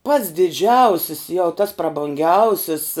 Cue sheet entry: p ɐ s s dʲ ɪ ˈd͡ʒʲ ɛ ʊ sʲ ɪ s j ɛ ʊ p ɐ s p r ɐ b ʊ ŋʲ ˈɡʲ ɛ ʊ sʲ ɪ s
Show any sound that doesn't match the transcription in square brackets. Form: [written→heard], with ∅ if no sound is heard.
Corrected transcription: p ɐ [s→t] s dʲ ɪ ˈd͡ʒʲ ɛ ʊ sʲ ɪ s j ɛ ʊ [p→t] ɐ s p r ɐ b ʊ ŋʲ ˈɡʲ ɛ ʊ sʲ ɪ s